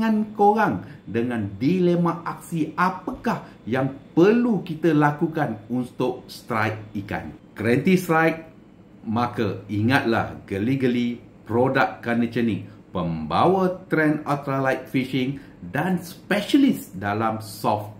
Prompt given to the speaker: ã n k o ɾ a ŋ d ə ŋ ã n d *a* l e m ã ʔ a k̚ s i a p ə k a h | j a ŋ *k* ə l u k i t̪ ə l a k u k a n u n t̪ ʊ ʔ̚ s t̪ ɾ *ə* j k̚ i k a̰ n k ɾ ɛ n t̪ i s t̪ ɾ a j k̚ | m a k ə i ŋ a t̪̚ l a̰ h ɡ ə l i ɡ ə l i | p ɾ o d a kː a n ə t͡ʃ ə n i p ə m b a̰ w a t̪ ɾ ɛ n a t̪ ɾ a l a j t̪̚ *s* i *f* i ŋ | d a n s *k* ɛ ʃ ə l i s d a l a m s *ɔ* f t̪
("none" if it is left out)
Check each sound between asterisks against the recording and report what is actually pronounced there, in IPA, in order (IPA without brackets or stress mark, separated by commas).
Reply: i, p, a, f, ʃ, p, ɔ